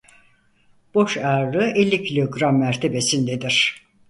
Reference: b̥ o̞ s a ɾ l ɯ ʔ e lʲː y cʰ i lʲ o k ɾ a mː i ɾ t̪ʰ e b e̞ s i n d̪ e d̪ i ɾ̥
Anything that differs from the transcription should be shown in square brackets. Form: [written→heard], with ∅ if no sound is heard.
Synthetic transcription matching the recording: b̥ o̞ [s→ʃ] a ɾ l ɯ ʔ e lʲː [y→i] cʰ i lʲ o [k→ɡ] ɾ a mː [i→æ] ɾ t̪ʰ e b e̞ s i n d̪ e d̪ i ɾ̥